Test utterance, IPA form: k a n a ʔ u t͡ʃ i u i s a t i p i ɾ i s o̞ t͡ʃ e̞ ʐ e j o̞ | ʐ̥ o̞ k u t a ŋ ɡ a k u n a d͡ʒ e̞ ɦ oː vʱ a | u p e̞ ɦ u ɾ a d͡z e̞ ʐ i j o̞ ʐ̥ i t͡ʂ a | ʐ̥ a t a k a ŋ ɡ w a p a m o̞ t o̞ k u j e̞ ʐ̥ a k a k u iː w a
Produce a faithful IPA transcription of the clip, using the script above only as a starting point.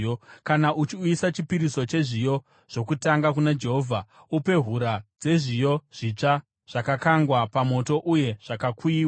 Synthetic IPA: k a n a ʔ u t͡ʃ i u i s a t͡ʃ i p i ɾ i s o̞ t͡ʃ e̞ ʐ i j o̞ | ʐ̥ o̞ k u t a ŋ ɡ a k u n a d͡ʒ e̞ ɦ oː vʱ a | u p e̞ ɦ u ɾ a d͡z e̞ ʐ i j o̞ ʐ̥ i t͡ʂ a | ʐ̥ a k a k a ŋ ɡ w a p a m o̞ t o̞ ʔ u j e̞ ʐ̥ a k a k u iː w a